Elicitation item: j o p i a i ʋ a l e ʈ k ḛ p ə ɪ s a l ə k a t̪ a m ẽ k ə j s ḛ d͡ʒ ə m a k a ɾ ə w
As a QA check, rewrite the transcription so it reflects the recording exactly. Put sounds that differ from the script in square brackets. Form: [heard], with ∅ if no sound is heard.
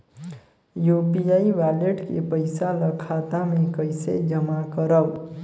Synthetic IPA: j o p i a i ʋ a l e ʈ k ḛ p ə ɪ s a l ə [kʰ] a t̪ a m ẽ k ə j s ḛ d͡ʒ ə m a k [ə] ɾ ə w